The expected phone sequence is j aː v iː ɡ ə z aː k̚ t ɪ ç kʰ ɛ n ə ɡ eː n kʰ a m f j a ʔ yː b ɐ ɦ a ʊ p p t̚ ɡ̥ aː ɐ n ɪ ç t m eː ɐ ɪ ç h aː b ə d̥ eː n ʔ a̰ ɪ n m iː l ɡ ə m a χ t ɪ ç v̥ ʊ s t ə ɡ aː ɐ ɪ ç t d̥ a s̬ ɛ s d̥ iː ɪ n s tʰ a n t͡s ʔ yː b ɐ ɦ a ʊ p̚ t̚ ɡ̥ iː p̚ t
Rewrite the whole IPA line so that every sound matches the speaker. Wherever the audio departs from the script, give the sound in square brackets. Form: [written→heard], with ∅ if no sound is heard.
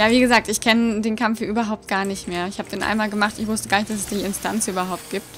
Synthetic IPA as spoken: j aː v iː ɡ ə z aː k̚ t ɪ ç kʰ ɛ n ə [ɡ→d] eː n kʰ a m f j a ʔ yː b ɐ ɦ a ʊ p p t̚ ɡ̥ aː ɐ n ɪ ç t m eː ɐ ɪ ç h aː b ə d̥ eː n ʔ a̰ ɪ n m [iː→aː] l ɡ ə m a χ t ɪ ç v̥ ʊ s t ə ɡ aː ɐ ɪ ç t d̥ a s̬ ɛ s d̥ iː ɪ n s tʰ a n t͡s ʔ yː b ɐ ɦ a ʊ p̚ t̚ ɡ̥ iː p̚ t